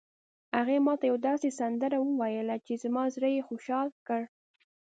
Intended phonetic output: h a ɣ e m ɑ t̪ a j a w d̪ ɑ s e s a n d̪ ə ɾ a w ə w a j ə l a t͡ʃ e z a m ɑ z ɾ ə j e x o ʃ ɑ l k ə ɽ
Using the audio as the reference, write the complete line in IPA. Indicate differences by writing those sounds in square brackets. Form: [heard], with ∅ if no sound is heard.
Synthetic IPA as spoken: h a ɣ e m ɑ t̪ a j a w d̪ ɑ s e s a n d̪ ə ɾ a w ə w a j ə l a t͡ʃ e z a m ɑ z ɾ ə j e x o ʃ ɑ l k ə ɽ

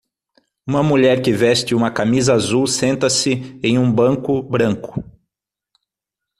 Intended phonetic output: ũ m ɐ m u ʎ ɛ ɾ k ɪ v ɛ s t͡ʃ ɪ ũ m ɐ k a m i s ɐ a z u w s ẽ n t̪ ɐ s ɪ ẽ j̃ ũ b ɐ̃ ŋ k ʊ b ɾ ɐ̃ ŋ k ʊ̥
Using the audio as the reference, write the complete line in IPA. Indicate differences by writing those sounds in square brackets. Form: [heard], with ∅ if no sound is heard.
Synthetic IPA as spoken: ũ m ɐ m u ʎ ɛ ɾ k ɪ v ɛ s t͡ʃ ɪ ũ m ɐ k a m i [z] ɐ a z u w s ẽ n t̪ ɐ s ɪ ẽ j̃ ũ b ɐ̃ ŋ k ʊ b ɾ ɐ̃ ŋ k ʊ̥

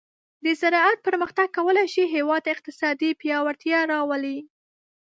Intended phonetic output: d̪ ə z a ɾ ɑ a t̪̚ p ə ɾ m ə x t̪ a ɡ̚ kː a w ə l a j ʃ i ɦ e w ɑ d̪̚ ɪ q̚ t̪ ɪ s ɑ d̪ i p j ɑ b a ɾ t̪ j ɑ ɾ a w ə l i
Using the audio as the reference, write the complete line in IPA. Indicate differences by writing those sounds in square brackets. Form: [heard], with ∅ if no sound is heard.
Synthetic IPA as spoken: d̪ ə z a ɾ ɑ a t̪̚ p ə ɾ m ə x t̪ a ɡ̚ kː a w ə l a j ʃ i ɦ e w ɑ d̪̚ ɪ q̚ t̪ ɪ s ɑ d̪ i p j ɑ [w] a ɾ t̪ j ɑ ɾ [ɑ] w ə l i

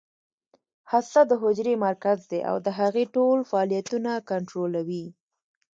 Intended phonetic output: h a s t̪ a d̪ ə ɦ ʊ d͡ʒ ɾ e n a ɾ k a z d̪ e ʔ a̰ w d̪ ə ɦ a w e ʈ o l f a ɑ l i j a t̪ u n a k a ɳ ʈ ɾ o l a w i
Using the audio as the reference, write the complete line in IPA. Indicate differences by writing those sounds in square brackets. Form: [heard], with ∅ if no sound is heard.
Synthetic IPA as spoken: h a s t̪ a d̪ ə ɦ ʊ d͡ʒ ɾ e [m] a ɾ k a z d̪ e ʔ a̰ w d̪ ə ɦ a [ɣ] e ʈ o l f a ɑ l i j a t̪ u n a k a ɳ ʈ ɾ o l a w i

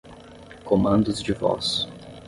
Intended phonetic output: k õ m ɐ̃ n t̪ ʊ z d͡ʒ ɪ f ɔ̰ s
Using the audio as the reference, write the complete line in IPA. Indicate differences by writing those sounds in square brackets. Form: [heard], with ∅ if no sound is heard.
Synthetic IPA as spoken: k [o] m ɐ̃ n [d̪] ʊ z d͡ʒ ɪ [v] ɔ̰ s

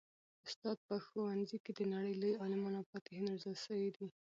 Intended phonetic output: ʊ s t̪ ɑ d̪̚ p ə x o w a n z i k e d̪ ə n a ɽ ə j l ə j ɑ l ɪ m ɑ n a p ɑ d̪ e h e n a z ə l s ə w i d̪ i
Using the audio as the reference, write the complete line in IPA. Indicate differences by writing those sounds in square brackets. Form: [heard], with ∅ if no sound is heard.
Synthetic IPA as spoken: ʊ s t̪ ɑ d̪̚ p ə x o w a n z i k e d̪ ə n a ɽ ə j l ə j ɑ l ɪ m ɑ n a p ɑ [t̪] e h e n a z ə l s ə w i d̪ i

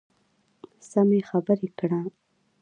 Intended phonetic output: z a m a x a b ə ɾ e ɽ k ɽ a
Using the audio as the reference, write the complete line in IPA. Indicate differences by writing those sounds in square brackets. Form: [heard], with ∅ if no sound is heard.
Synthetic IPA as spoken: [s] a m [e] x a b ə ɾ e [∅] k ɽ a

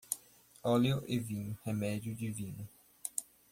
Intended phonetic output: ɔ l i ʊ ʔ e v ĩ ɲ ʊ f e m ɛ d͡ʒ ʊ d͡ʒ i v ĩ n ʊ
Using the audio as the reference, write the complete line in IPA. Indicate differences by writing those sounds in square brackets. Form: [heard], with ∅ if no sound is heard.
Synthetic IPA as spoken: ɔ l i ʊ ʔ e v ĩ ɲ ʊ [h] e m ɛ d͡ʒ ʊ d͡ʒ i v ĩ n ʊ

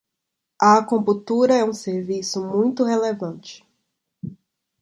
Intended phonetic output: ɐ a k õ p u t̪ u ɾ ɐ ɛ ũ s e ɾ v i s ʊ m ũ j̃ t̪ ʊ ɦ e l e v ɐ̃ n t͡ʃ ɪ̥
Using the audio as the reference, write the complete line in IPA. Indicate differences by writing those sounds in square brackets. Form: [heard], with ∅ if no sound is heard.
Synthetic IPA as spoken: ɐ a k õ p u t̪ u ɾ ɐ ɛ ũ s e ɾ v i s ʊ m ũ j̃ t̪ ʊ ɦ e l e v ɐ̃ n t͡ʃ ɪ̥

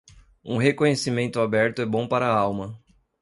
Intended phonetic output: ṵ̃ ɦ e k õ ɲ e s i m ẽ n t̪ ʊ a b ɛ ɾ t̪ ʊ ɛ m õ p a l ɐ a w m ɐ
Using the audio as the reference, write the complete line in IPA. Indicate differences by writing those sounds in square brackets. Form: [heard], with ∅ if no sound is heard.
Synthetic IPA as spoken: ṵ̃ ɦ e k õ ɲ e s i m ẽ n t̪ ʊ a b ɛ ɾ t̪ ʊ ɛ [b] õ p a [ɾ] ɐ a w m ɐ

